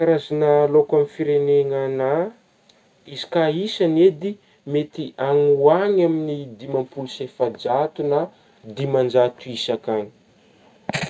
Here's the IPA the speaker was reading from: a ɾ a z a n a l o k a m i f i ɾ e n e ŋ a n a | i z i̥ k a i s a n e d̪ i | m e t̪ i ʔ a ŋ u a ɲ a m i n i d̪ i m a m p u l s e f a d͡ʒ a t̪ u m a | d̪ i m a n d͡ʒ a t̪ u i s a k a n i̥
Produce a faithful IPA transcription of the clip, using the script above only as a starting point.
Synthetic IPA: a ɾ a z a n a l o k a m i f i ɾ e n e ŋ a n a | i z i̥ k a i s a n e d̪ i | m e t̪ i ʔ a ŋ u a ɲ a m i n i d̪ i m a m p u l s e f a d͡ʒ a t̪ u n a | d̪ i m a n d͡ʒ a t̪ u i s a k a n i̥